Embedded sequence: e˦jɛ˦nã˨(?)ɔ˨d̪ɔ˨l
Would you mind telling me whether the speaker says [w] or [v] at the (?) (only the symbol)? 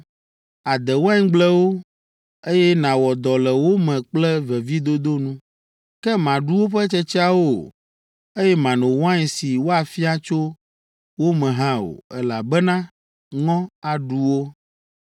w